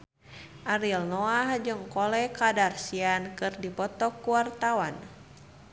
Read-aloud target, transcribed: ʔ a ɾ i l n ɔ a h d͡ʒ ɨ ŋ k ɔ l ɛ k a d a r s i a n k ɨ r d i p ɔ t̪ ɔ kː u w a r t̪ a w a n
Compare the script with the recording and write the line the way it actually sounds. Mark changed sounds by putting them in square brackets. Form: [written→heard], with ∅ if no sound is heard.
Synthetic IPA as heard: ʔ a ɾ i l n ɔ a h d͡ʒ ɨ ŋ k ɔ l ɛ k a d a r s i a n k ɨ r d i p ɔ t̪ ɔ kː u w a r t̪ a w a n